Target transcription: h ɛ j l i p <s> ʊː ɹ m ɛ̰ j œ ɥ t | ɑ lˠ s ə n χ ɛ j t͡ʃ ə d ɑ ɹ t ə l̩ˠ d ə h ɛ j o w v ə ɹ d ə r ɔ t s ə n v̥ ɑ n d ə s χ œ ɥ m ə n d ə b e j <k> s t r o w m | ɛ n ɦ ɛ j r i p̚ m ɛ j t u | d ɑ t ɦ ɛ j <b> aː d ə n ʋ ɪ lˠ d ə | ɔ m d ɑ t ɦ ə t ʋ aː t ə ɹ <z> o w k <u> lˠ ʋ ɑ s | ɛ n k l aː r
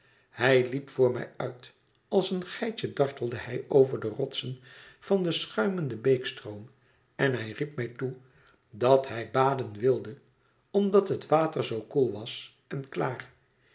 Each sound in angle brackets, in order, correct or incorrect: incorrect: f, correct, correct, correct, correct

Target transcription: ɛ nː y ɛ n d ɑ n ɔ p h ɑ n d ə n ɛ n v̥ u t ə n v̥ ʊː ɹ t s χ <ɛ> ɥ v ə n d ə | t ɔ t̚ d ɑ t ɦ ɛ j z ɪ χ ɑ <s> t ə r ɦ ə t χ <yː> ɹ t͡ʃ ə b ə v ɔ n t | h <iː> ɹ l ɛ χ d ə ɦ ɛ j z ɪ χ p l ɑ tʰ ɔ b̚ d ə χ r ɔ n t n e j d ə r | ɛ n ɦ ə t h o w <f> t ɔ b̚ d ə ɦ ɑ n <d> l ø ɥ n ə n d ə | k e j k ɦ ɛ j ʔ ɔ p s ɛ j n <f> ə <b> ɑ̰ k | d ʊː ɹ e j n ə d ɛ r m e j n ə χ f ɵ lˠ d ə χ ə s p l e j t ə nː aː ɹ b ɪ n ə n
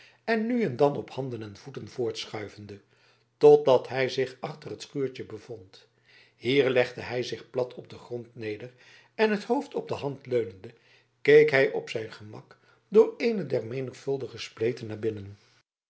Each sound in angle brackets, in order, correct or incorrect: incorrect: œ, incorrect: χ, correct, correct, correct, incorrect: t, incorrect: χ, incorrect: m

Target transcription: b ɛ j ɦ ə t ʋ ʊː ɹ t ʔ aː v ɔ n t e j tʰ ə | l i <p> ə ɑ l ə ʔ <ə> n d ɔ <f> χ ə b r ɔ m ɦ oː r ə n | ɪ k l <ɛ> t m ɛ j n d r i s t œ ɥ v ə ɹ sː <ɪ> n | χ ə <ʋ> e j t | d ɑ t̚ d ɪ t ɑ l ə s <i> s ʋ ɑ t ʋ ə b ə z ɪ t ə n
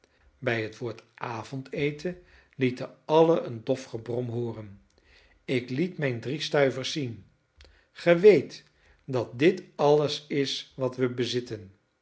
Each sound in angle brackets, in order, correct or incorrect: incorrect: t, correct, correct, incorrect: i, incorrect: i, correct, incorrect: ɪ

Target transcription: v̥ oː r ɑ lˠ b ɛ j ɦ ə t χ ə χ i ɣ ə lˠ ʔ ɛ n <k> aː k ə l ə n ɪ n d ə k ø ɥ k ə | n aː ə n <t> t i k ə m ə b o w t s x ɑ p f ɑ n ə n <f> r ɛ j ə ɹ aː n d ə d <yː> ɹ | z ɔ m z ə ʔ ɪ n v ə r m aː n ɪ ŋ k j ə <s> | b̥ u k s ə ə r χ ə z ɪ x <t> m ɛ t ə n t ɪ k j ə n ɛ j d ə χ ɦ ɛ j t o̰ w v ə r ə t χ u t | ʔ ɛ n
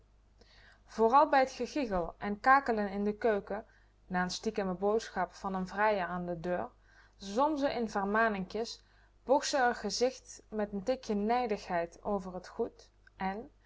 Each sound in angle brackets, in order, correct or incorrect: correct, incorrect: s, incorrect: v, incorrect: øː, correct, correct

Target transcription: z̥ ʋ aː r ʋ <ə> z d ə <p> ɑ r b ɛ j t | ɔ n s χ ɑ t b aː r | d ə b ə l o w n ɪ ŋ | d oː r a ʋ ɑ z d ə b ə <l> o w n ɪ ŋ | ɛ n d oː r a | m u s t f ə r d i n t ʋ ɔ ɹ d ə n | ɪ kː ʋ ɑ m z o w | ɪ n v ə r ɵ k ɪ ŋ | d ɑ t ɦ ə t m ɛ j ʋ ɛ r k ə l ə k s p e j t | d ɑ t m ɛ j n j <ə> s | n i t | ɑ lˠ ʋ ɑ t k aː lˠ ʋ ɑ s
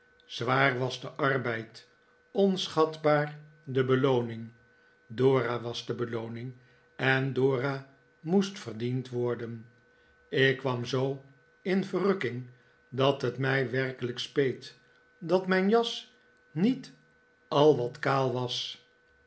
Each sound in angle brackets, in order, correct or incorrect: incorrect: ɑ, incorrect: ʔ, correct, incorrect: ɑ

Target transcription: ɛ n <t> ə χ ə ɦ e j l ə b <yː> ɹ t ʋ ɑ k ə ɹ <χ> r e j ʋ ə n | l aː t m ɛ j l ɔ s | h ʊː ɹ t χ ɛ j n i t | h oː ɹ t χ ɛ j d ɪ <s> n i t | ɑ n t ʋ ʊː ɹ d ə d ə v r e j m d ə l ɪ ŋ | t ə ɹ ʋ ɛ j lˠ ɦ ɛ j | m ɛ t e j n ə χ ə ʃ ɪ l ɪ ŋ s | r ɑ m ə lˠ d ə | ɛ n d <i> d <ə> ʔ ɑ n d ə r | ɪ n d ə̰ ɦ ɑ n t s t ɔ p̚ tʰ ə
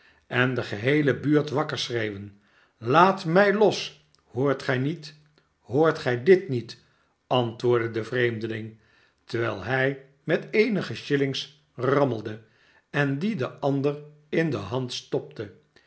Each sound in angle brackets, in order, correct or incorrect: incorrect: d, correct, incorrect: s, incorrect: t, correct, correct

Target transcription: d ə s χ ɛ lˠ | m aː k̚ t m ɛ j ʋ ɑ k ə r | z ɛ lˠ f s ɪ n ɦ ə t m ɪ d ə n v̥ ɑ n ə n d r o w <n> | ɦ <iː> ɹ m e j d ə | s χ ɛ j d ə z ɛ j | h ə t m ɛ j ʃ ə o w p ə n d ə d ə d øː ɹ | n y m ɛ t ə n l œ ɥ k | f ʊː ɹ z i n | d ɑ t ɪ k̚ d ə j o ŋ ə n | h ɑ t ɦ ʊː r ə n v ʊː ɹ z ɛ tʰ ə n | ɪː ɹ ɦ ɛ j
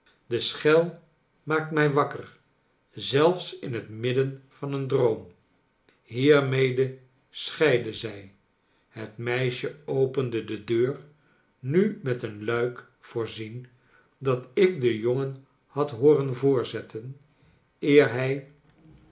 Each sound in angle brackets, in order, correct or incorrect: incorrect: m, correct

